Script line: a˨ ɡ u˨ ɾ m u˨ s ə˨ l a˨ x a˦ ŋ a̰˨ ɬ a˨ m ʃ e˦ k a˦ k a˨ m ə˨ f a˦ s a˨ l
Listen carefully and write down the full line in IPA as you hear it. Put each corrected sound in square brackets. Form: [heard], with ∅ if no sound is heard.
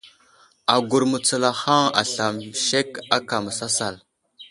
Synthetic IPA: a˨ ɡ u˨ ɾ m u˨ [t͡s] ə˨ l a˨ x a˦ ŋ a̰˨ ɬ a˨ m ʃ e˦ k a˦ k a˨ m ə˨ [s] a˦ s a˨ l